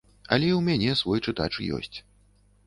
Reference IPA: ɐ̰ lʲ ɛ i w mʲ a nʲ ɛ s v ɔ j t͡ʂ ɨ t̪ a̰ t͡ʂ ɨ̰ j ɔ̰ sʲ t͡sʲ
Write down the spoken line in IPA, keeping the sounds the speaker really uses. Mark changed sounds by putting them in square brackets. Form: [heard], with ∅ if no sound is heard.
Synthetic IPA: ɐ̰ lʲ ɛ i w mʲ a nʲ ɛ s v ɔ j t͡ʂ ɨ t̪ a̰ t͡ʂ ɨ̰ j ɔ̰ sʲ t͡sʲ